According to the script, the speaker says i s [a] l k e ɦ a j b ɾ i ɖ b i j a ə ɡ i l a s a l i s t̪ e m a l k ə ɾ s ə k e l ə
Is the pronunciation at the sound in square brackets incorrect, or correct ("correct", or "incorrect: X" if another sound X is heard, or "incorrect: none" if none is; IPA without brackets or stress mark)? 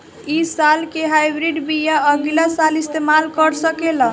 correct